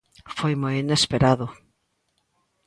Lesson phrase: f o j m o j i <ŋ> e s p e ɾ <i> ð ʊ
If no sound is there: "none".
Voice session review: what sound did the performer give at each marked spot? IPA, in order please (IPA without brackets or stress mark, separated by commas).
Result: n, a